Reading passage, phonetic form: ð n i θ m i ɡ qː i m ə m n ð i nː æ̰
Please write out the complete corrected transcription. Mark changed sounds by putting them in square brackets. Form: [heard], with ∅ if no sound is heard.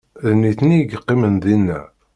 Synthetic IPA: ð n i θ [n] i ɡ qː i m ə [∅] n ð i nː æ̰

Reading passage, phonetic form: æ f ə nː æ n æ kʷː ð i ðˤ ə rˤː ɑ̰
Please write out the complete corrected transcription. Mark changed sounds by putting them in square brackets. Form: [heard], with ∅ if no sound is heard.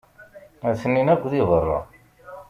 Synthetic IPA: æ [θ] ə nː [i] n æ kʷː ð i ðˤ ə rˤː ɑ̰

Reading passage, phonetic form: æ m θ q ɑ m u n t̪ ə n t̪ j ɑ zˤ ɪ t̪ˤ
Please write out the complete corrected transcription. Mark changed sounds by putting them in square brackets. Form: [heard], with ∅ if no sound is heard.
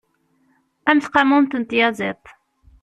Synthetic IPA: æ m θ q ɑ m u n t̪ ə n t̪ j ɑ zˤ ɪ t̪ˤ

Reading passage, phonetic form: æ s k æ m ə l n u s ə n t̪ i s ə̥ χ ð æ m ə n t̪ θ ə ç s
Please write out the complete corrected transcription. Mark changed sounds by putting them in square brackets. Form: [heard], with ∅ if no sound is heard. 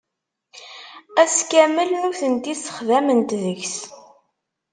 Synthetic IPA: æ s k æ m ə l n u [θ] ə n t̪ i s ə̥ χ ð æ m ə n t̪ [ð] ə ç s

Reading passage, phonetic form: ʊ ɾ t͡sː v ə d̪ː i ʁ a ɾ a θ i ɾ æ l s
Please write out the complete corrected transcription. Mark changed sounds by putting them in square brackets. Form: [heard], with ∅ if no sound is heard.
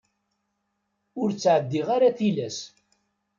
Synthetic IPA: ʊ ɾ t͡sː [ʕ] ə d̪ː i ʁ a ɾ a θ i [l] æ [∅] s

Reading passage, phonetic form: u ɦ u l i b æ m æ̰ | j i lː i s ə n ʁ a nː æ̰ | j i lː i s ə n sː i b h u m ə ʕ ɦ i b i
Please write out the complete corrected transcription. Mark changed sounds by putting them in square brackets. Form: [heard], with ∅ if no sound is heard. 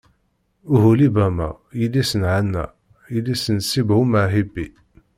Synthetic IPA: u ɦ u l i b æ m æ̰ | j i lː i s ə n [ʕ] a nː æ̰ | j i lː i s ə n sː i b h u m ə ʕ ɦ i b i

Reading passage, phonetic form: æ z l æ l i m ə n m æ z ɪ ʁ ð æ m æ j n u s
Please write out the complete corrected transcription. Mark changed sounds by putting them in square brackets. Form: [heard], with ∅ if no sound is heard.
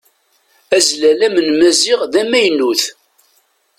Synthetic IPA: æ z l æ l [æ] m ə n m æ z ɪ ʁ ð æ m æ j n u [θ]

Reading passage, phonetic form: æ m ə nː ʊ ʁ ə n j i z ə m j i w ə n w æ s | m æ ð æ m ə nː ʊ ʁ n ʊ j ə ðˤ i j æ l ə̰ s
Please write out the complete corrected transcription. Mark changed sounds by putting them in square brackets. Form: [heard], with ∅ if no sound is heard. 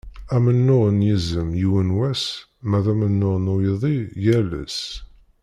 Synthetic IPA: æ m ə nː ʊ ʁ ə n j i z ə m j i w ə n w æ s | m æ ð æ m ə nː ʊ ʁ n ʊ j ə ðˤ i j æ l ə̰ s

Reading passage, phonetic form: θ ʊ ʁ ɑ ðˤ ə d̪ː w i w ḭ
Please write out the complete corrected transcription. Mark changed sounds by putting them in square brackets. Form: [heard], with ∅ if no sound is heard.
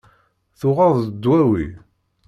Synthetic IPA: θ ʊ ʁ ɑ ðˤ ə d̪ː w [æ] w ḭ

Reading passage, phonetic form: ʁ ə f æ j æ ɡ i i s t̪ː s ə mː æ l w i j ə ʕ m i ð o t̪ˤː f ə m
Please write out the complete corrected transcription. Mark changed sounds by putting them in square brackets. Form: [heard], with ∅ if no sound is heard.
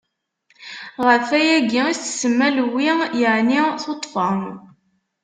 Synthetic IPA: ʁ ə f æ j æ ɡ i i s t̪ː s ə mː æ l w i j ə ʕ [n] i [θ] o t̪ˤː f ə m

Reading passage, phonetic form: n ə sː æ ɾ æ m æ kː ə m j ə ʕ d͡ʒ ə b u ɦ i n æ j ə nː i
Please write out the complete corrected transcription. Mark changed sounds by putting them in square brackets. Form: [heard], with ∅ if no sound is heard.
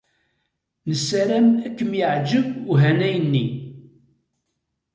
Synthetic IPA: n ə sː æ ɾ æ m æ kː ə m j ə ʕ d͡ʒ ə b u ɦ [æ] n æ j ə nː i

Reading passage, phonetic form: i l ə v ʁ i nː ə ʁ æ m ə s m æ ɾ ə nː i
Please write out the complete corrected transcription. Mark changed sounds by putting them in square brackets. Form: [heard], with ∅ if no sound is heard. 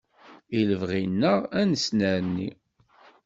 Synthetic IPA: i l ə v ʁ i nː ə ʁ æ [n] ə s [n] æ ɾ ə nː i

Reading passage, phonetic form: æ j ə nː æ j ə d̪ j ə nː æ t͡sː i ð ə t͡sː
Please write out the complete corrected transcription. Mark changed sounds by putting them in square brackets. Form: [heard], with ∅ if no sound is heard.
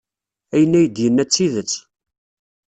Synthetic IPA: æ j ə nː æ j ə d̪ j ə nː æ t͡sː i ð ə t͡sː

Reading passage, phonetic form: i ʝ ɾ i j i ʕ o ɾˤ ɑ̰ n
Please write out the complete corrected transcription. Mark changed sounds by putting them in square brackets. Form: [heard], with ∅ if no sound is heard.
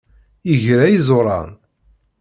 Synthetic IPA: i ʝ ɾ [æ] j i [z] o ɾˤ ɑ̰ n

